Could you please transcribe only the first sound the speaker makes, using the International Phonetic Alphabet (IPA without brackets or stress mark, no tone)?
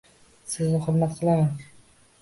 s